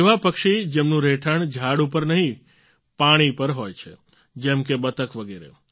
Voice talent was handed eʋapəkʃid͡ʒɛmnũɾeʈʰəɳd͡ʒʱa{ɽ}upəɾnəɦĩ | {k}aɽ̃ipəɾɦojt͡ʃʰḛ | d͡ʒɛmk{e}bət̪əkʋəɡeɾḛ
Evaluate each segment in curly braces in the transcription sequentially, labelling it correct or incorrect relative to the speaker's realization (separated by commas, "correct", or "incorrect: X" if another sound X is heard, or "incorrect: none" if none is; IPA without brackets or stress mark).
correct, incorrect: p, correct